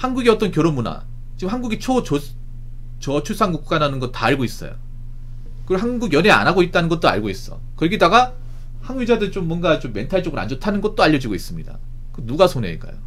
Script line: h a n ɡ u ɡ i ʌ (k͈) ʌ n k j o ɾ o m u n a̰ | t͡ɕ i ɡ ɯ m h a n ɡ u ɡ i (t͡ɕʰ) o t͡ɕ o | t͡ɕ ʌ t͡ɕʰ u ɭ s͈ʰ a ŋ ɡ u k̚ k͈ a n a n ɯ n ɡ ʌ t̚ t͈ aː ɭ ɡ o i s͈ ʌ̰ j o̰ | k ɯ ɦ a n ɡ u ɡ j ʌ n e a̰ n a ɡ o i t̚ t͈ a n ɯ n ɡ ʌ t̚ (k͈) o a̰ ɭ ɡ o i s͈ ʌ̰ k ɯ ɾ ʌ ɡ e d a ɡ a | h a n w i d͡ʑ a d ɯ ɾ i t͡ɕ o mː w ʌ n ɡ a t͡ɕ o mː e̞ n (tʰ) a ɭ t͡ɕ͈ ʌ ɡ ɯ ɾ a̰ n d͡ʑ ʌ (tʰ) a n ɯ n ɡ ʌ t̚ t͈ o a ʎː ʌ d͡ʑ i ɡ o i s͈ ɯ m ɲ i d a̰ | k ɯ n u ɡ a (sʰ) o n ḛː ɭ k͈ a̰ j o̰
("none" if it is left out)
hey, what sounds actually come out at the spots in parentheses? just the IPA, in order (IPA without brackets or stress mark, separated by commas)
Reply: t͈, t͡ɕʰ, t͈, tʰ, tʰ, sʰ